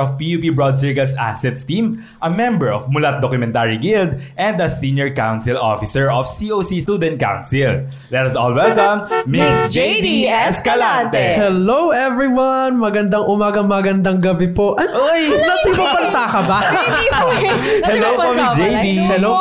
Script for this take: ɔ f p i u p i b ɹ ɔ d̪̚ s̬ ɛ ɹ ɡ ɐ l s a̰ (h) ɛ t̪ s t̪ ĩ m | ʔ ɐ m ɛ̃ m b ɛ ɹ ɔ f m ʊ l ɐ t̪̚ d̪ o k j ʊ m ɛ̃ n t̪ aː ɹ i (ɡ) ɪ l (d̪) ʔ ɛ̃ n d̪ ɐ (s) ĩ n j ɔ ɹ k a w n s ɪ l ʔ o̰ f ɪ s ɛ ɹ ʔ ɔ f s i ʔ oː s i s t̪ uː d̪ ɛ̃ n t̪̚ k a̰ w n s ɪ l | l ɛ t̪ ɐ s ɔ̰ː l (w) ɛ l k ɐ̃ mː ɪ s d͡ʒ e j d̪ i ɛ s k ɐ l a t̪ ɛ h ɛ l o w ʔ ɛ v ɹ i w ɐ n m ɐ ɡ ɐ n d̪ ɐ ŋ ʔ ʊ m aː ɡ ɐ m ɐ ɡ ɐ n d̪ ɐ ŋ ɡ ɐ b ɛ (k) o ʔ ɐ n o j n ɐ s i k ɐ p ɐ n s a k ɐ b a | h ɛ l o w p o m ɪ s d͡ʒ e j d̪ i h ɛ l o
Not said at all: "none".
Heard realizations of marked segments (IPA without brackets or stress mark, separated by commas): s, ɡ, d̪, s, w, p